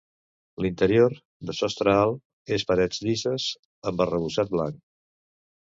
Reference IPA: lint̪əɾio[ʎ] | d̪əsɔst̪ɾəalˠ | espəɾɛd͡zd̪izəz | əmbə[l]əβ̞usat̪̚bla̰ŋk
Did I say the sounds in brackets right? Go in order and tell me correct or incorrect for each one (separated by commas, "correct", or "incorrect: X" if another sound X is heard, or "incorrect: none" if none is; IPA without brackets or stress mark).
incorrect: ɾ, incorrect: r